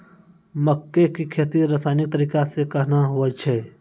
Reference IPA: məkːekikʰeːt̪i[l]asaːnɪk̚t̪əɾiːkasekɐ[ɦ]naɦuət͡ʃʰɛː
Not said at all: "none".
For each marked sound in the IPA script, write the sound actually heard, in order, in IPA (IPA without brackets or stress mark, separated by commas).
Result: ɾ, ɦ